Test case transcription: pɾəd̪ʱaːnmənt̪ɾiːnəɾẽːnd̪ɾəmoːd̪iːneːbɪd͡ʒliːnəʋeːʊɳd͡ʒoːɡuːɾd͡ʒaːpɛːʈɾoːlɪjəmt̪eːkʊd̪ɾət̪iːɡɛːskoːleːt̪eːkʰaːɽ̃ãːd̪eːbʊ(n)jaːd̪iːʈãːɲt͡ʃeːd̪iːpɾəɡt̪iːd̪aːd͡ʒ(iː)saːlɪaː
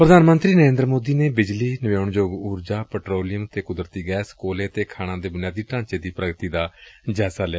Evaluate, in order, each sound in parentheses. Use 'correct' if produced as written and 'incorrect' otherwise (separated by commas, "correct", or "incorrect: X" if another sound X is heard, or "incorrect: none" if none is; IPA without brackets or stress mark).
correct, incorrect: ɛː